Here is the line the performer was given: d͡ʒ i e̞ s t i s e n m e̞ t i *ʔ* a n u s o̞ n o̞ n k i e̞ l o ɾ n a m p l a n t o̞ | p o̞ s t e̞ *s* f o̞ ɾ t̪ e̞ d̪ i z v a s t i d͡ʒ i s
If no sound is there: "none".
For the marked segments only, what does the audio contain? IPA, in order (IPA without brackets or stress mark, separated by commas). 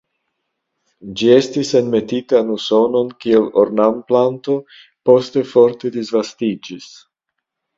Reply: t, none